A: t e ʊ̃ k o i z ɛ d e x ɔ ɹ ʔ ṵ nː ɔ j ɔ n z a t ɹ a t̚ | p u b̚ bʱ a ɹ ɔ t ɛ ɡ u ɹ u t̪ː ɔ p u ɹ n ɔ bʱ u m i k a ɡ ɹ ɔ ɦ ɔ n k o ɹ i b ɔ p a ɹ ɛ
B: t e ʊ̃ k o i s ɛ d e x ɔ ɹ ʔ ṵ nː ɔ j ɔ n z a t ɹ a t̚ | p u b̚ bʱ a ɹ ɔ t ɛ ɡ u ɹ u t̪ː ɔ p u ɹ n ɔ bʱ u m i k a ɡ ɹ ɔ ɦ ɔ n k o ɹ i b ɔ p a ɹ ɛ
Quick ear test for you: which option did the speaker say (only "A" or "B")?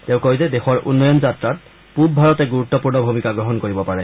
A